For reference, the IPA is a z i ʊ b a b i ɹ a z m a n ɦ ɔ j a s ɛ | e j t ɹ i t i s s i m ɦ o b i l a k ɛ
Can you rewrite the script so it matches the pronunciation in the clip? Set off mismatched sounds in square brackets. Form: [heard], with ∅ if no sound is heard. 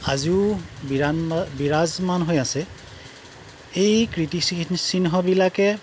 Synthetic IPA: a z i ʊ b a b i ɹ a z m a n ɦ [o] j a s ɛ | e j [k] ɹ i t i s s i [n] ɦ [ɔ] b i l a k ɛ